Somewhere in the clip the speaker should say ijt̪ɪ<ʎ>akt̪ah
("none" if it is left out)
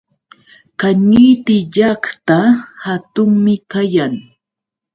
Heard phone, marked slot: ʎ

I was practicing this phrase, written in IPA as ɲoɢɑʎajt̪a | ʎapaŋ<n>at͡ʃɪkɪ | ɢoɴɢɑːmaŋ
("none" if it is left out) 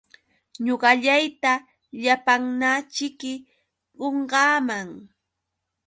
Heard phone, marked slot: n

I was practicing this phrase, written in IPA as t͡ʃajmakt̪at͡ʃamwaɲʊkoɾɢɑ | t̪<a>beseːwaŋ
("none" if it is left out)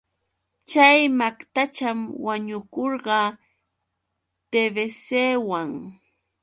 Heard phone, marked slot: e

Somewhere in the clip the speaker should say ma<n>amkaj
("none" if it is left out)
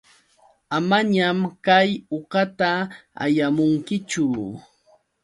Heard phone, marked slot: ɲ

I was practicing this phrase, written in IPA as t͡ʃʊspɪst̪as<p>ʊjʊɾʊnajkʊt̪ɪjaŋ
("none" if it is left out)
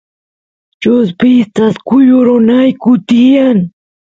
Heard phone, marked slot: k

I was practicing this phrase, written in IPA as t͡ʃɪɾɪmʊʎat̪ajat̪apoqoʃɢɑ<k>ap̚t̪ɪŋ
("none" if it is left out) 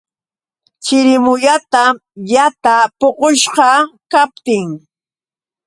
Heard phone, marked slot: k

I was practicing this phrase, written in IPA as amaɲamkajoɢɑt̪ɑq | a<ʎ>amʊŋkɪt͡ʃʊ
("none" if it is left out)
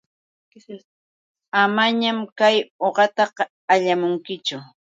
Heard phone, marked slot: ʎ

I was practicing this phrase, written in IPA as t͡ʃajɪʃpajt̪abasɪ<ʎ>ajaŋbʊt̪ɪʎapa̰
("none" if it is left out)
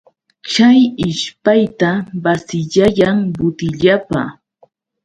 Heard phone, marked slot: ʎ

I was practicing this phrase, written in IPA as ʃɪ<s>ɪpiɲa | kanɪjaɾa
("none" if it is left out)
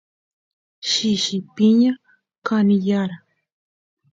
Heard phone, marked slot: ʃ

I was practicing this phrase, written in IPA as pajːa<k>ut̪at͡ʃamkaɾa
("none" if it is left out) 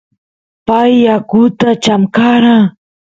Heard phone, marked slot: k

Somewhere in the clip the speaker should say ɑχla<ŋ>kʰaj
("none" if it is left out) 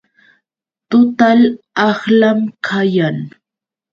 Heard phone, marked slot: m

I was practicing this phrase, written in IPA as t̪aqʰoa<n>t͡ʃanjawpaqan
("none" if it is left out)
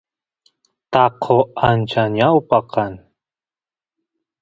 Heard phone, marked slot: n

